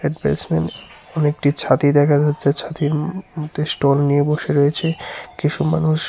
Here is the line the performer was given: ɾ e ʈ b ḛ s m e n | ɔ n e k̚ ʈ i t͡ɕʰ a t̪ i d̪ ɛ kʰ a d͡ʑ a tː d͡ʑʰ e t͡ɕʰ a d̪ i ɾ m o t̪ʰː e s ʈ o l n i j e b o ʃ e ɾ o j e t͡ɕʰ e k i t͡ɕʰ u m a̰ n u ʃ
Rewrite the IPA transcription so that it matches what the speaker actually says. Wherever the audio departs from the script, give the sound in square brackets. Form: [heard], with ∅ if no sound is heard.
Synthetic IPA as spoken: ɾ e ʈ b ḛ s m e n | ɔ n e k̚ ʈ i t͡ɕʰ a t̪ i d̪ ɛ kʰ a d͡ʑ a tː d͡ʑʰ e t͡ɕʰ a [t̪] i ɾ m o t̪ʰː e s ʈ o l n i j e b o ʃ e ɾ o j e t͡ɕʰ e k i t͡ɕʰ u m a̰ n u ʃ